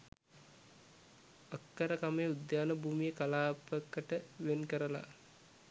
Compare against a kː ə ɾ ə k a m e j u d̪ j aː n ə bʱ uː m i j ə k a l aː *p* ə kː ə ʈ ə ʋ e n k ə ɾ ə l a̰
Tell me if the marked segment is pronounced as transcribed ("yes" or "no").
yes